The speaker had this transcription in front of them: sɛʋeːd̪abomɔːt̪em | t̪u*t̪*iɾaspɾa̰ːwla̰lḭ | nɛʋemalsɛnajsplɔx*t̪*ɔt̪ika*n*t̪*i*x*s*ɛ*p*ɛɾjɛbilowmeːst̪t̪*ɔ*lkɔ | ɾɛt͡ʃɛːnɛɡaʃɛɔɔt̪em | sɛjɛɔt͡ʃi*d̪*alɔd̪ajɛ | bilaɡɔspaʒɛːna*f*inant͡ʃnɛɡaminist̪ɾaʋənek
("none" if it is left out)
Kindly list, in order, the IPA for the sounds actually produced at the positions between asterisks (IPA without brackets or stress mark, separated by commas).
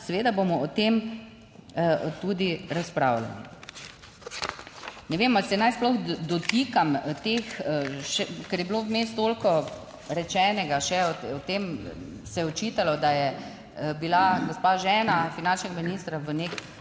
d̪, d̪, m, e, ʃ, k, o, t̪, f